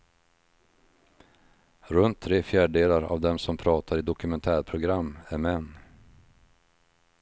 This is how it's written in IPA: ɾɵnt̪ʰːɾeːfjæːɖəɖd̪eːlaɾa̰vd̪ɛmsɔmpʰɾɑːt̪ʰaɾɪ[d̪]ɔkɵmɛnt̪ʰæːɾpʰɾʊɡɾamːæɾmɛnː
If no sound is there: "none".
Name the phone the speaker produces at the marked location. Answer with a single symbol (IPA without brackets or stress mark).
d̪